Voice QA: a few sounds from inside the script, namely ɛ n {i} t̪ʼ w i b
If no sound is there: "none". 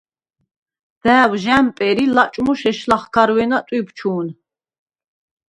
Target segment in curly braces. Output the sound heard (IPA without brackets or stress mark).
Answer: a